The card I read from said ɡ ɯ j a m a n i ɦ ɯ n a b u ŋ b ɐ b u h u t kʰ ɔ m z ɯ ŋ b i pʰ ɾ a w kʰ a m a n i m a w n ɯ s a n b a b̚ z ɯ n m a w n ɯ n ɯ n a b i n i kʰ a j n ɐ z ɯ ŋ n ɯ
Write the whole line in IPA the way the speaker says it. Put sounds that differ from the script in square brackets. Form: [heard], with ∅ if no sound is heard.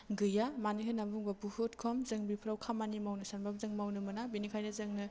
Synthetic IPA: ɡ ɯ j a m a n i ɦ ɯ n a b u ŋ b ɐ b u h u t kʰ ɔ m z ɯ ŋ b i pʰ ɾ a w kʰ a m a n i m a w n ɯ s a n b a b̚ z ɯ [ŋ] m a w n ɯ [m] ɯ n a b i n i kʰ a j n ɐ z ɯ ŋ n ɯ